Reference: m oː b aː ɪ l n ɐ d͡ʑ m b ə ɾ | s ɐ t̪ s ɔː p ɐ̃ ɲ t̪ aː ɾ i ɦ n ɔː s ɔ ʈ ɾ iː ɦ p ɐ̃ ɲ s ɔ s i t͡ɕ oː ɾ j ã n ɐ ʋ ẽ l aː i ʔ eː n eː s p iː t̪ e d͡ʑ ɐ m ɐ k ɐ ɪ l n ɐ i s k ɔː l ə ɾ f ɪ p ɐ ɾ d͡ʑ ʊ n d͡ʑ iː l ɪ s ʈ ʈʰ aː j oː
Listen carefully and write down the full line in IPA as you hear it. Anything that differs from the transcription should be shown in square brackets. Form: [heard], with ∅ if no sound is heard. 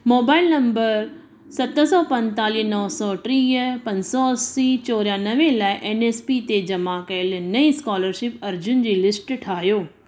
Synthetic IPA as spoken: m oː b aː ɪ l n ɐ [∅] m b ə ɾ | s ɐ t̪ s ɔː p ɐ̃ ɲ t̪ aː [l] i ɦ n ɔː s ɔ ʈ ɾ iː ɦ p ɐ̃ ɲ s ɔ s i t͡ɕ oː ɾ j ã n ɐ ʋ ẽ l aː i ʔ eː n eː s p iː t̪ e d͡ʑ ɐ m [a] k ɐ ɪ l n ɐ i s k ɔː l ə ɾ [ʃ] ɪ p ɐ ɾ d͡ʑ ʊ n d͡ʑ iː l ɪ s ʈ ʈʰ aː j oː